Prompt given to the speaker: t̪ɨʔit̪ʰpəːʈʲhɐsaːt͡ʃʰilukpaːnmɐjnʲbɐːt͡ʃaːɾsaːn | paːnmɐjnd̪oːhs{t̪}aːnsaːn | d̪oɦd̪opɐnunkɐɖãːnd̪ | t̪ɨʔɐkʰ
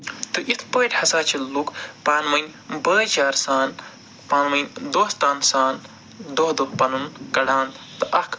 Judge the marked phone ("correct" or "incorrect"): correct